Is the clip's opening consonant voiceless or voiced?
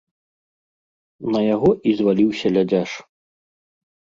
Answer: voiced